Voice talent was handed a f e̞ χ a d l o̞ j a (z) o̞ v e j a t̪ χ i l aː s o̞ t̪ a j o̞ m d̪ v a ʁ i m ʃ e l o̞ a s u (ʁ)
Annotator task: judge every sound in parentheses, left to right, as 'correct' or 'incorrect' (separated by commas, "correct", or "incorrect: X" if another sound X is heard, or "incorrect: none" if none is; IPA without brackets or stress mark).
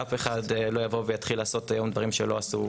incorrect: v, incorrect: none